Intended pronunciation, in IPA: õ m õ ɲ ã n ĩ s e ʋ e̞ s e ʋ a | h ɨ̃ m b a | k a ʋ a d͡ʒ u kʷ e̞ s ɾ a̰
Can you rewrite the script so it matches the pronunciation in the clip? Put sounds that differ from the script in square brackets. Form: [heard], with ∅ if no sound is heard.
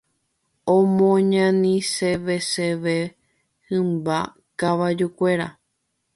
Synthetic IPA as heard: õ m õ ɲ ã n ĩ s e ʋ e̞ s e ʋ [e] | h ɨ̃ m b a | k a ʋ a d͡ʒ u kʷ e̞ [∅] ɾ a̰